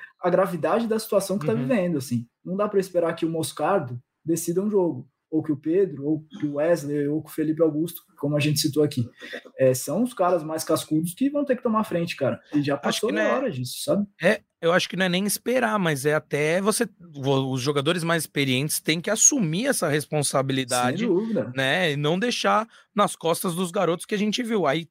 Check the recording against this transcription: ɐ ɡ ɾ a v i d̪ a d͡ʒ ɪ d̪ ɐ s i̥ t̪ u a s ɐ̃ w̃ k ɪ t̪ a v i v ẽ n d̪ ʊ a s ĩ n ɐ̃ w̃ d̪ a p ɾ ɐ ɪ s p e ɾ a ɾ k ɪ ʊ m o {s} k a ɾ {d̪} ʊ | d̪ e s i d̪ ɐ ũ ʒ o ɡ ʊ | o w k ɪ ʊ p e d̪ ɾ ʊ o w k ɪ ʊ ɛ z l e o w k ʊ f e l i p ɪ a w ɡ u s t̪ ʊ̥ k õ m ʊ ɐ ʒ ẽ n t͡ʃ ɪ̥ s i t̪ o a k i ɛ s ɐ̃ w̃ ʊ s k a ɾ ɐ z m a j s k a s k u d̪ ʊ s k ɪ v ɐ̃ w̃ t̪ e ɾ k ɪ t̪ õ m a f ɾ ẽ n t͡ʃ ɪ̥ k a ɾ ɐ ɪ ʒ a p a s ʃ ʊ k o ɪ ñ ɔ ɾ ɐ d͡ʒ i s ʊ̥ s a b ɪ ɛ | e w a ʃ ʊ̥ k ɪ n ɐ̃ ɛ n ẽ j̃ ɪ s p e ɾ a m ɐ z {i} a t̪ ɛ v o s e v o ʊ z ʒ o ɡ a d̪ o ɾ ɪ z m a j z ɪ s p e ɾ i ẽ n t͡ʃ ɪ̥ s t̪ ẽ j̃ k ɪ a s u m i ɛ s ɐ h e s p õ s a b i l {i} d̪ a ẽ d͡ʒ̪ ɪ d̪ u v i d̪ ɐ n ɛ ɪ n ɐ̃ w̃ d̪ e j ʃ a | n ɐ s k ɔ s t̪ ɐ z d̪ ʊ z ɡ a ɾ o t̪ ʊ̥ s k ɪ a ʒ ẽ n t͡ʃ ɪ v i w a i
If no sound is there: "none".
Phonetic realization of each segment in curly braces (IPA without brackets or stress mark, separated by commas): s, d̪, ɛ, i